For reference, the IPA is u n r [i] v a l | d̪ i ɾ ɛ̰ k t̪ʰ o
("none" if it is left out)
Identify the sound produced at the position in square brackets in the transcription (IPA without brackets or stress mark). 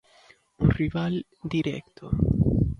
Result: i